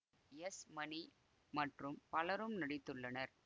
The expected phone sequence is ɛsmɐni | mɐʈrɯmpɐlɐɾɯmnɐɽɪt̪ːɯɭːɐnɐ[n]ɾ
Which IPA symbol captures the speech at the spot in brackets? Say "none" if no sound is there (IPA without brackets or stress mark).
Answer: none